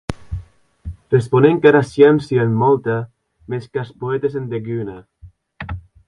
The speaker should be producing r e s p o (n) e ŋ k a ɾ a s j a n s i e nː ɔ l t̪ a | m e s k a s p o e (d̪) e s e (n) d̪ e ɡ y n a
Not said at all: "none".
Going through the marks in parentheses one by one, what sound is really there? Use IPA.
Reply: n, t̪, n

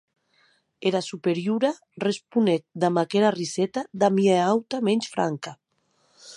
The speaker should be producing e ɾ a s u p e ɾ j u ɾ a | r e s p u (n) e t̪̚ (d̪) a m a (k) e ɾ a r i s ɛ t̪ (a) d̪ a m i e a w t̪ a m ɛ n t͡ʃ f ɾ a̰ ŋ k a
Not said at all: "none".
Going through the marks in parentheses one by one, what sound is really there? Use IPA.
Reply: n, d̪, k, a

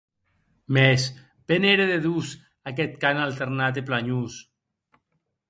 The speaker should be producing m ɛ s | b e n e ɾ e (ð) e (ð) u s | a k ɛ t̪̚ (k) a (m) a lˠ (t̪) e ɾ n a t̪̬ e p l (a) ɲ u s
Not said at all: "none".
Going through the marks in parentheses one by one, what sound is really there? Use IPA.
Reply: ð, ð, k, n, t̪, a

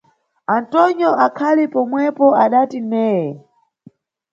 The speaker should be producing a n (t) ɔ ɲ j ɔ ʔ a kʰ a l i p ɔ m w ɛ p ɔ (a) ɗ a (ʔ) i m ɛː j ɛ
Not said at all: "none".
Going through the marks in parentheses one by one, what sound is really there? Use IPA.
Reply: t, a, t

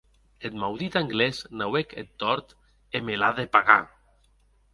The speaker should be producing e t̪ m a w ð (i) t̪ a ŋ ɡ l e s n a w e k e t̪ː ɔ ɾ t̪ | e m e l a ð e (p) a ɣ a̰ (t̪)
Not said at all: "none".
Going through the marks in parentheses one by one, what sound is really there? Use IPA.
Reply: i, p, none

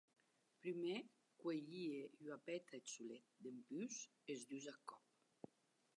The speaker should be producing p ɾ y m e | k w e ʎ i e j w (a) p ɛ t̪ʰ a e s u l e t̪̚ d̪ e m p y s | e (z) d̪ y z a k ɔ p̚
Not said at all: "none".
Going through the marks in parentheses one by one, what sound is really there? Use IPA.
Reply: a, z

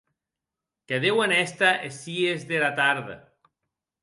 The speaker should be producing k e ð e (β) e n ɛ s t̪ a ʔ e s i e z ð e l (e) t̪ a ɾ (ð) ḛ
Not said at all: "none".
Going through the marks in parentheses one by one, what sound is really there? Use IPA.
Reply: w, a, ð

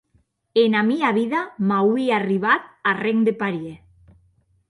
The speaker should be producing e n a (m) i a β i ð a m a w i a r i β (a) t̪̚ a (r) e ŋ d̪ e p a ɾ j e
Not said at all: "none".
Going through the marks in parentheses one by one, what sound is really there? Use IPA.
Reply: m, a, r

